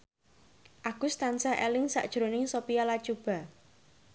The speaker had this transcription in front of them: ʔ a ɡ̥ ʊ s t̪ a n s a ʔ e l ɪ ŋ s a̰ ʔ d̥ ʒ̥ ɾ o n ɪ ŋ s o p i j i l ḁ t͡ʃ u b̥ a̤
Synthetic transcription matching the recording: ʔ a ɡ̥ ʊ s t̪ a n s a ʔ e l ɪ ŋ s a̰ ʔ d̥ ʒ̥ ɾ o n ɪ ŋ s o p i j a l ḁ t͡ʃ u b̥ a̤